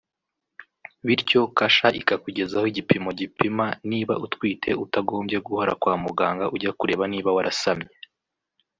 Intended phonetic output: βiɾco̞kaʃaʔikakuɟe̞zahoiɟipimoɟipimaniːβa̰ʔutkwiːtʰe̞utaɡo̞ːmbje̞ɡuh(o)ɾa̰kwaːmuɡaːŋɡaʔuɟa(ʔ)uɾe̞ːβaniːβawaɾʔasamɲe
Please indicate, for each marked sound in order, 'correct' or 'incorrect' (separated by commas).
correct, incorrect